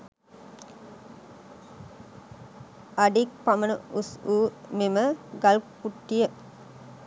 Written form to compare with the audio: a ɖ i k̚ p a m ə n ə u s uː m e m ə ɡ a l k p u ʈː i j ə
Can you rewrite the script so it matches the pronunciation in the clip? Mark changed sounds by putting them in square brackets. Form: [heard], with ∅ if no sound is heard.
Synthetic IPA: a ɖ i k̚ p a m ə n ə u s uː m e m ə ɡ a l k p u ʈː i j ə